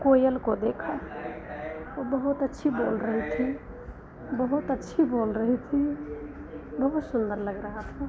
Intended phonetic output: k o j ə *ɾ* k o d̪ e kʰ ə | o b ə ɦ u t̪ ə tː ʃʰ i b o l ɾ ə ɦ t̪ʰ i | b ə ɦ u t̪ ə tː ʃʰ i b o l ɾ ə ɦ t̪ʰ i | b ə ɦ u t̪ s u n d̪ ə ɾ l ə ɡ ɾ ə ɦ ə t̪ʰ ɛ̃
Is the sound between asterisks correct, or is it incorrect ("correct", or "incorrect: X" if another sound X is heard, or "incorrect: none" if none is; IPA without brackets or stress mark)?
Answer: incorrect: l